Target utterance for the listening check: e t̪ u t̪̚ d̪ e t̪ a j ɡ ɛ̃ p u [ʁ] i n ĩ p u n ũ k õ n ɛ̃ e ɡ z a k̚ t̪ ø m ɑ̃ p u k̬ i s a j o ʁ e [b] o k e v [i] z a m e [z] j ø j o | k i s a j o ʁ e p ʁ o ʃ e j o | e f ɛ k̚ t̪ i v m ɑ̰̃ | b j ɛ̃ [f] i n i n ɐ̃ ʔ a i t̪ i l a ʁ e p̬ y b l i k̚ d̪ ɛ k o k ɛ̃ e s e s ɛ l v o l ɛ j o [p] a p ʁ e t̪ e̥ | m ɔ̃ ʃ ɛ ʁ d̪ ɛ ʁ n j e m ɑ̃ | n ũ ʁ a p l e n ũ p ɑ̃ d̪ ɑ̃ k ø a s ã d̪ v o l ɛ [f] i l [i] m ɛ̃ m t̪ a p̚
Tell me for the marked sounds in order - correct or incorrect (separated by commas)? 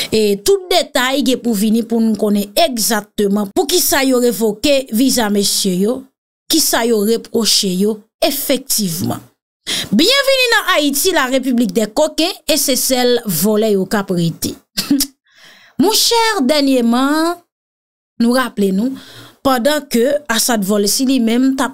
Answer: incorrect, incorrect, correct, incorrect, incorrect, incorrect, incorrect, correct